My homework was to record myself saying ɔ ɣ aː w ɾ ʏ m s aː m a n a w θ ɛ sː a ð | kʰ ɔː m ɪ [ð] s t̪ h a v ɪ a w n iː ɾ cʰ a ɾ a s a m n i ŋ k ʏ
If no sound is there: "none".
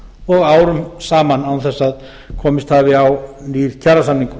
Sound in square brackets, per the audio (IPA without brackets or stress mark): none